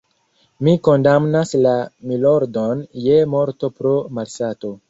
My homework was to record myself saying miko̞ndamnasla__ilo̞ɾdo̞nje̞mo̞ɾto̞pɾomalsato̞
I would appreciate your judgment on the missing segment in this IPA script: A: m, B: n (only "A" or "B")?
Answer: A